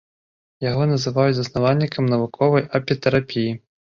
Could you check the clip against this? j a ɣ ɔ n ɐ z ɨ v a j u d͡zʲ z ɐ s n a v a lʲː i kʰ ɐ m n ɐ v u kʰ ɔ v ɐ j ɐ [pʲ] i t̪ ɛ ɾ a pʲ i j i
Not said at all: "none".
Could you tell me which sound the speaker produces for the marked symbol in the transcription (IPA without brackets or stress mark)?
pʲ